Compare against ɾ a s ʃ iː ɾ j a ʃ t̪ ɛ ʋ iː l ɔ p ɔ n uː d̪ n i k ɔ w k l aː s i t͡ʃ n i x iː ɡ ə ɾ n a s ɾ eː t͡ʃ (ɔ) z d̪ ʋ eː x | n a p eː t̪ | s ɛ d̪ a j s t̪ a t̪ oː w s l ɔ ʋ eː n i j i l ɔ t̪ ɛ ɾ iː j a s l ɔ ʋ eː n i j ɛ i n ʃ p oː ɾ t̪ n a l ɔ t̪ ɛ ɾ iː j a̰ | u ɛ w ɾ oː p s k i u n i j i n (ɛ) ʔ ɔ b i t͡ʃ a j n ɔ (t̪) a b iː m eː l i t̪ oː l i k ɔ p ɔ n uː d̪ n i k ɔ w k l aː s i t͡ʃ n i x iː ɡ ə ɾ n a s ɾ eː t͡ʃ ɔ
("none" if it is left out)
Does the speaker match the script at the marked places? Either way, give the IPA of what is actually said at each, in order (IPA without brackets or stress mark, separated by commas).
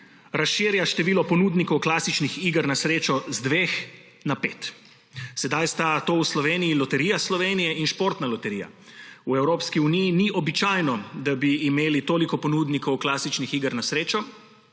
ɔ, i, d̪